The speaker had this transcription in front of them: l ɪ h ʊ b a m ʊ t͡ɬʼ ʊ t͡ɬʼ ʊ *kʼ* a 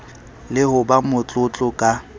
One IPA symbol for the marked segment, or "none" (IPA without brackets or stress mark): kʼ